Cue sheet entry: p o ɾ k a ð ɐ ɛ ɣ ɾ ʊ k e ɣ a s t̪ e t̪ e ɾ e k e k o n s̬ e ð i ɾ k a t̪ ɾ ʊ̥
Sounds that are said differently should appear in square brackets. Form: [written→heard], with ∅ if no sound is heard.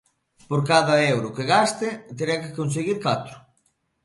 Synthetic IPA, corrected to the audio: p o ɾ k a ð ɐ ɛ [ɣ→w] ɾ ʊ k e ɣ a s t̪ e t̪ e ɾ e k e k o n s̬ e [ð→ɣ] i ɾ k a t̪ ɾ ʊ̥